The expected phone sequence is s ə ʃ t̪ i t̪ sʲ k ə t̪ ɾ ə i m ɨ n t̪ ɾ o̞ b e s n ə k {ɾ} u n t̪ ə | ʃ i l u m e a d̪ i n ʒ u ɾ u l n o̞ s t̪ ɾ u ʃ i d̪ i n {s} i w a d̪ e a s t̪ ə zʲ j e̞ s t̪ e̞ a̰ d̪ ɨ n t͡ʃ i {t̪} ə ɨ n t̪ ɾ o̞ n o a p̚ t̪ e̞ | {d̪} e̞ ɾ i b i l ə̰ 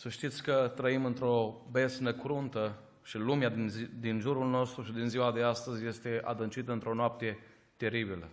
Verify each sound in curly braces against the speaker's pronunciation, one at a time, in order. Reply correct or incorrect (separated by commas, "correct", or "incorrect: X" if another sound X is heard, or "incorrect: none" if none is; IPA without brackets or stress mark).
correct, incorrect: z, correct, incorrect: t̪